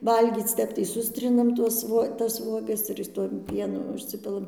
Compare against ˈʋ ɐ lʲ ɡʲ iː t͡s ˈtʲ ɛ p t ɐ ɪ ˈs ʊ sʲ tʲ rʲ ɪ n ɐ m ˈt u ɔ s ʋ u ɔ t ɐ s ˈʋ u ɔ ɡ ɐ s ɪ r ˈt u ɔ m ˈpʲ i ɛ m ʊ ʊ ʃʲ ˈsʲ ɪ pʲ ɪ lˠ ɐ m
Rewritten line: ˈʋ ɐ lʲ ɡʲ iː t͡s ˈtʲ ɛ p t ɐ ɪ ˈs ʊ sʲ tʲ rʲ ɪ n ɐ m ˈt u ɔ s ʋ u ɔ t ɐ s ˈʋ u ɔ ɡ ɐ s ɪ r ˈt u ɔ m ˈpʲ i ɛ n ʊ ʊ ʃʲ ˈsʲ ɪ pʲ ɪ lˠ ɐ m